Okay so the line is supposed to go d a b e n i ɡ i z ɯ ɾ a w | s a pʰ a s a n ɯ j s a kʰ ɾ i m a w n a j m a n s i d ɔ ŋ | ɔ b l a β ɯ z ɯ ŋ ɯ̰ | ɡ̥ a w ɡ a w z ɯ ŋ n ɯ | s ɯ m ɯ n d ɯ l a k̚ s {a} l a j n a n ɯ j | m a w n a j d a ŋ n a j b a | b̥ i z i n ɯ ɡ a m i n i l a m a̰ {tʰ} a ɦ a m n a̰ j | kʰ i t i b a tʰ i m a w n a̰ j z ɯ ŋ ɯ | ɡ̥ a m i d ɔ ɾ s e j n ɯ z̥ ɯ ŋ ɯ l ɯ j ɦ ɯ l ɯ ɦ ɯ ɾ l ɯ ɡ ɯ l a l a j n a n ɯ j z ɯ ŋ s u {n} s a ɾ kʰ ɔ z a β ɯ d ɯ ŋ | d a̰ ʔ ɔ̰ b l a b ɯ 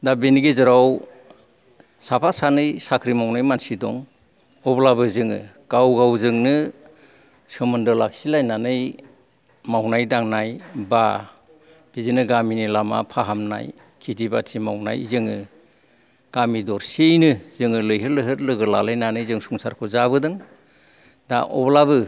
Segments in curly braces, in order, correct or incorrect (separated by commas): incorrect, incorrect, incorrect